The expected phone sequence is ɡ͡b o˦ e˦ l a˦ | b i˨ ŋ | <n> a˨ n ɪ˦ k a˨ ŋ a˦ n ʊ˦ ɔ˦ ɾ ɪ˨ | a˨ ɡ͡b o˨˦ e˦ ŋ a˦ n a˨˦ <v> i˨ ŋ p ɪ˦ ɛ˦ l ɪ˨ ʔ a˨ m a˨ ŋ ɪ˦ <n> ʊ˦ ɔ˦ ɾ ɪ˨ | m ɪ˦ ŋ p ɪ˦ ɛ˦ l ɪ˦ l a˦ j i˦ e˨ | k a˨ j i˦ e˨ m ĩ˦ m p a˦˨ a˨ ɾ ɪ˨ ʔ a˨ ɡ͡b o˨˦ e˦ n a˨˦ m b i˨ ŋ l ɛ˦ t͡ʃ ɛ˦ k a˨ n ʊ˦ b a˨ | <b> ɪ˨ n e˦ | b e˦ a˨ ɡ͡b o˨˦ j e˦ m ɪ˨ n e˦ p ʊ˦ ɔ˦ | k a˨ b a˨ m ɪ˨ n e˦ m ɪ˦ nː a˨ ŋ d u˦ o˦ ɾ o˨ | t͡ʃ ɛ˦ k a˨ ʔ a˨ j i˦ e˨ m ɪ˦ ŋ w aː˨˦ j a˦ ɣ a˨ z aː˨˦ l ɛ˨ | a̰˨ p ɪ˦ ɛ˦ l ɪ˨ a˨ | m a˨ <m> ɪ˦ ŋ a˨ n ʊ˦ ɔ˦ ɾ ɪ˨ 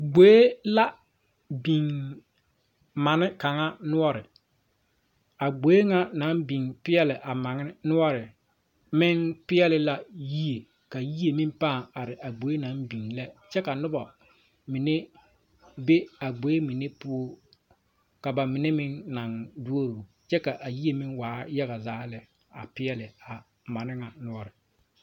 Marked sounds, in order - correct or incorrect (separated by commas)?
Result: incorrect, incorrect, correct, incorrect, incorrect